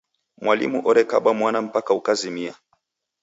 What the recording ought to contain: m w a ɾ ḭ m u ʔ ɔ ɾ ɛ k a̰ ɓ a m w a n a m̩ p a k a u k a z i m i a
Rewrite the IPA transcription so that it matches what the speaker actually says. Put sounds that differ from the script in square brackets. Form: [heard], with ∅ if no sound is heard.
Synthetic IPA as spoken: m w a [l] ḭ m u ʔ ɔ ɾ ɛ k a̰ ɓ a m w a n a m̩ p a k a u k a z i m i a